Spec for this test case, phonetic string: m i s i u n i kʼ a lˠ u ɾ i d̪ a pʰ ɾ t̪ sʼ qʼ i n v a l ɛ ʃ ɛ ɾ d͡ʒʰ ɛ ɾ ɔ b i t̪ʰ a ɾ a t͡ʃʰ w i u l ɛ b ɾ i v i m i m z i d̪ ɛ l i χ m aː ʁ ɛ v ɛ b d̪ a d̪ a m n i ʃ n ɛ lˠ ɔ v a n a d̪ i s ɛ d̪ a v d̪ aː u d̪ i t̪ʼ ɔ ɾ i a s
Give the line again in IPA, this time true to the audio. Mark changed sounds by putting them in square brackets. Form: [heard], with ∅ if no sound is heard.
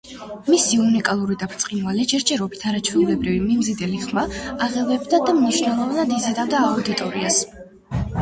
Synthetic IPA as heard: m i s i u n i kʼ a lˠ u ɾ i d̪ a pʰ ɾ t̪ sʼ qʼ i n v a l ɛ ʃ ɛ ɾ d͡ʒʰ ɛ ɾ ɔ b i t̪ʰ a ɾ a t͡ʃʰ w i u l ɛ b ɾ i v i m i m z i d̪ ɛ l i χ m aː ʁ ɛ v ɛ b d̪ a d̪ a m n i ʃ n ɛ lˠ ɔ v a n a d̪ i [z] ɛ d̪ a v d̪ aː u d̪ i t̪ʼ ɔ ɾ i a s